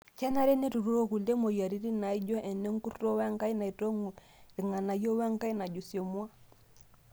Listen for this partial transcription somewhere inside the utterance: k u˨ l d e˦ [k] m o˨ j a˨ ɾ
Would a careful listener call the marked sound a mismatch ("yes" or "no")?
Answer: yes